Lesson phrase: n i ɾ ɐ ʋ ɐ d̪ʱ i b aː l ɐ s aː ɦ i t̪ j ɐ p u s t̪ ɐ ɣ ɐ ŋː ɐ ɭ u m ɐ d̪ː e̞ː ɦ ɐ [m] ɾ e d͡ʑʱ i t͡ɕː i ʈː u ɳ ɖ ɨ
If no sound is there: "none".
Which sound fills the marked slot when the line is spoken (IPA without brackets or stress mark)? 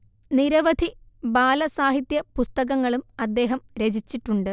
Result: m